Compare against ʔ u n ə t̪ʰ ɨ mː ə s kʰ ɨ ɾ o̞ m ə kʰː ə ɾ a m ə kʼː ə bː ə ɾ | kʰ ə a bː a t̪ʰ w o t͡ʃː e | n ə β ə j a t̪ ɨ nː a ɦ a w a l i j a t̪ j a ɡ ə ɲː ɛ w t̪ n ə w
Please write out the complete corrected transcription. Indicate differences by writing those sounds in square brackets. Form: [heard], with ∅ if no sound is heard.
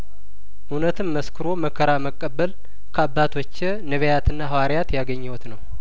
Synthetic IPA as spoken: ʔ u n ə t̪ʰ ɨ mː ə s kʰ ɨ ɾ o̞ m ə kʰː ə ɾ a m ə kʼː ə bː ə [l] | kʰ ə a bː a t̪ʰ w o t͡ʃː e | n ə β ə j a t̪ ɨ nː a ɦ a w a [ɾ] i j a t̪ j a ɡ ə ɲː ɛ w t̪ n ə w